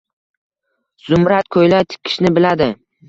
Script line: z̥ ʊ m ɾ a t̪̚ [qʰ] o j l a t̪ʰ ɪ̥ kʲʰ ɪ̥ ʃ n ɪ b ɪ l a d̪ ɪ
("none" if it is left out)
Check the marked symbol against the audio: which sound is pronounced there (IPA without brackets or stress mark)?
kʰ